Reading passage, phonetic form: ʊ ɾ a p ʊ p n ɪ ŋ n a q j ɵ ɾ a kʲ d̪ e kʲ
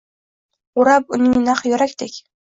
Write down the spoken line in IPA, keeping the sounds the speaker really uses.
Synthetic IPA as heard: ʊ ɾ a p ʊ n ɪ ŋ n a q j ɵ ɾ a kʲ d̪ e kʲ